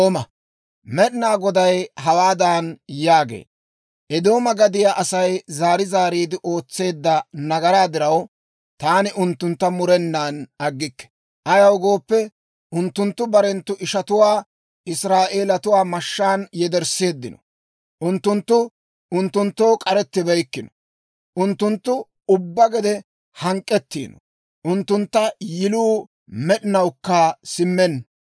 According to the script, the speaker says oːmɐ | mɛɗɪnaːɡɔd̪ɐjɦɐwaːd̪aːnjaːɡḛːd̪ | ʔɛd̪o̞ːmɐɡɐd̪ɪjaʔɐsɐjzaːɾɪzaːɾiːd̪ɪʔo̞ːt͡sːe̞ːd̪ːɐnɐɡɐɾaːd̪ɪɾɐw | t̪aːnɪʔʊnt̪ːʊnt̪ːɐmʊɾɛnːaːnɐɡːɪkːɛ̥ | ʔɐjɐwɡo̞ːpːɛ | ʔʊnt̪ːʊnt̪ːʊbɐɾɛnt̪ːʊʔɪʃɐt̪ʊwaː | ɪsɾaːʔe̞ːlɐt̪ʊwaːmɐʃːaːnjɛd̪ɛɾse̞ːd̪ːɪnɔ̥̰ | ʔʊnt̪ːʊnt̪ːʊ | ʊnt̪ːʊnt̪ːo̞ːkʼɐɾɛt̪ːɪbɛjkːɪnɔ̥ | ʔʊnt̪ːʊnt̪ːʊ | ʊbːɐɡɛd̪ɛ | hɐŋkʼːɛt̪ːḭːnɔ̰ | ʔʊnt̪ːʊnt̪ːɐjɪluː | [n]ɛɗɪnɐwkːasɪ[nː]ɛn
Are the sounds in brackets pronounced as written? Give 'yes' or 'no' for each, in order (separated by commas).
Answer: no, no